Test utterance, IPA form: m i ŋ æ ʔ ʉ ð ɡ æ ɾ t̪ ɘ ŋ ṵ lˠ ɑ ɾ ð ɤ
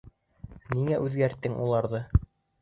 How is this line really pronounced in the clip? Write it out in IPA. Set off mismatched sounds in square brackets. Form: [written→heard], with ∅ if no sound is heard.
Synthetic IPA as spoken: [m→n] i ŋ æ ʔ ʉ ð ɡ æ ɾ t̪ ɘ ŋ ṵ lˠ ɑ ɾ ð ɤ